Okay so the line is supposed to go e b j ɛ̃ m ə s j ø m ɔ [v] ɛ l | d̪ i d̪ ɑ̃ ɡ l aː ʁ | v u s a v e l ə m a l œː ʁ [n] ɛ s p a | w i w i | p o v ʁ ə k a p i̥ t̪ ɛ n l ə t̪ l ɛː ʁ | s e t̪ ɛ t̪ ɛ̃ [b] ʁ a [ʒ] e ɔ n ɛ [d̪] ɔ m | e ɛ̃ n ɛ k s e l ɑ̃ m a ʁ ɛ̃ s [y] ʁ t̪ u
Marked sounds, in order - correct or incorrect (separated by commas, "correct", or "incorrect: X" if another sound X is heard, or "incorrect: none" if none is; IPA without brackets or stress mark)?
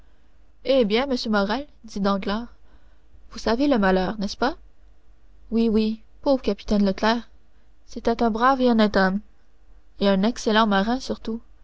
incorrect: ʁ, correct, correct, incorrect: v, incorrect: t̪, correct